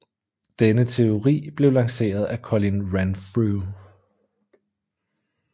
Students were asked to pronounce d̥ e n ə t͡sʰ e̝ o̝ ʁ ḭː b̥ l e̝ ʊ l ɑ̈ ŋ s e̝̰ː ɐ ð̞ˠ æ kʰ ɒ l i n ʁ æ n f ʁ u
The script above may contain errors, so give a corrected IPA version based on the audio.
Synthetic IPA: d̥ e n ə t͡sʰ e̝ o̝ ʁ ḭː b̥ l e̝ ʊ l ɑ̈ ŋ s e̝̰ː ɐ ð̞ˠ æ kʰ ɒ l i n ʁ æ n f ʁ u